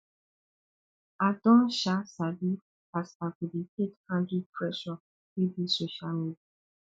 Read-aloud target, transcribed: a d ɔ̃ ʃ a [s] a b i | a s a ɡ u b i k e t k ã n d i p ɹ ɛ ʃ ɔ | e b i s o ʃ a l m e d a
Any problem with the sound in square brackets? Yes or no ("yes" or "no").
no